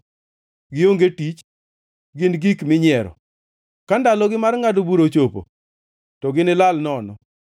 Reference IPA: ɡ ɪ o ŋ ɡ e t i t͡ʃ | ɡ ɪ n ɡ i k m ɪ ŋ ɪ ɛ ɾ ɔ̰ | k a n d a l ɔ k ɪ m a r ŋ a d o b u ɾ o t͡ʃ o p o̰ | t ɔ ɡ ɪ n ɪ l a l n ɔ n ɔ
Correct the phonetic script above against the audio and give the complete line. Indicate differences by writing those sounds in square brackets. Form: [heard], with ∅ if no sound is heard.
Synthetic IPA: ɡ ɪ o ŋ ɡ e t i t͡ʃ | ɡ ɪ n ɡ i k m ɪ [ɲ] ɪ ɛ ɾ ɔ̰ | k a n d a l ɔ [ɡ] ɪ m a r ŋ a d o b u ɾ o t͡ʃ o p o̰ | t ɔ ɡ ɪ n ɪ l a l n ɔ n ɔ